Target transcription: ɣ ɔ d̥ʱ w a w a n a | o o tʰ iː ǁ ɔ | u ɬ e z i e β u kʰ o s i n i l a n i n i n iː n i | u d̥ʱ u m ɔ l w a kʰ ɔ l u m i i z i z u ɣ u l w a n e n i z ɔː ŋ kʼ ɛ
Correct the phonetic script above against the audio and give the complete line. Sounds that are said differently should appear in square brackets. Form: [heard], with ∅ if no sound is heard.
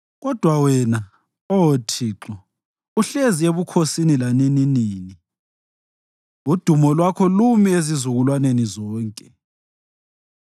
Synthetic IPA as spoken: ɣ ɔ d̥ʱ w a w [ɛ] n a | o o tʰ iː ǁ ɔ | u ɬ e z i e β u kʰ o s i n i l a n i n i n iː n i | u d̥ʱ u m ɔ l w a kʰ ɔ l u m i [e] z i z u ɣ u l w a n e n i z ɔː ŋ kʼ ɛ